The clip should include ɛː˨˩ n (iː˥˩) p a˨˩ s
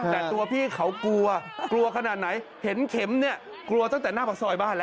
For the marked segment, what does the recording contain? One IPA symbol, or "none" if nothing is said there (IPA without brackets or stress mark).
aː˥˩